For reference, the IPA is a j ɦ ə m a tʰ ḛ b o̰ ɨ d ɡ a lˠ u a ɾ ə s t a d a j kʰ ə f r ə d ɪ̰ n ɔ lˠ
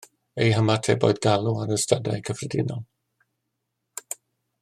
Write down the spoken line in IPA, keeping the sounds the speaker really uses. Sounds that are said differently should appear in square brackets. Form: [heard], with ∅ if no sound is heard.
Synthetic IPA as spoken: [e] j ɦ ə m a tʰ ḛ b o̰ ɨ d ɡ a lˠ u a ɾ ə s t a d a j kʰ ə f r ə d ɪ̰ n ɔ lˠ